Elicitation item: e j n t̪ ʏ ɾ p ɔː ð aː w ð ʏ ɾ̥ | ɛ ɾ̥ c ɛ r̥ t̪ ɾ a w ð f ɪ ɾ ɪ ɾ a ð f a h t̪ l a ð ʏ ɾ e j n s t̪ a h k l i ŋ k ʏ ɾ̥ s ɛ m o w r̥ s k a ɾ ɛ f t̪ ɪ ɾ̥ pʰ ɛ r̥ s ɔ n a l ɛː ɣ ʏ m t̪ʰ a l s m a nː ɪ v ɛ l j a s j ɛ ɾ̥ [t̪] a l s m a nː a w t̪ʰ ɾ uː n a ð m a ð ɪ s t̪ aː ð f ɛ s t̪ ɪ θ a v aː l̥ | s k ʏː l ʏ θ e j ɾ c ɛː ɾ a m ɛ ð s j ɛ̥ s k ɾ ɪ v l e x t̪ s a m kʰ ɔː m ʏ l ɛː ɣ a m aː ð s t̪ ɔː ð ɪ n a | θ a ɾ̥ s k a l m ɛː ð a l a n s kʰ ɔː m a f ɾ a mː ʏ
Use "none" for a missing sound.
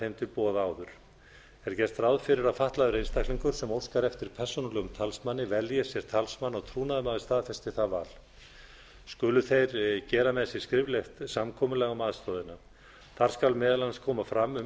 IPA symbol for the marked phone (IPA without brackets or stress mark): t̪ʰ